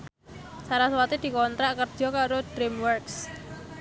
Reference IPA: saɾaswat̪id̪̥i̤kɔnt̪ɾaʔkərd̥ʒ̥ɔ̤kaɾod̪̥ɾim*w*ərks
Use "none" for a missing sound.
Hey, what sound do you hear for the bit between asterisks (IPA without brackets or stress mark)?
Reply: w